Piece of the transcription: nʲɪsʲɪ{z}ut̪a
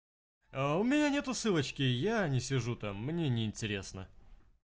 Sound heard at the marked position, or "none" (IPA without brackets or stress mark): ʐ